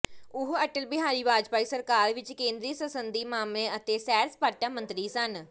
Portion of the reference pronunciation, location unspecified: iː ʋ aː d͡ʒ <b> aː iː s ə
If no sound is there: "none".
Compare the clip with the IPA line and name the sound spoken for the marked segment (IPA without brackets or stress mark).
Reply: p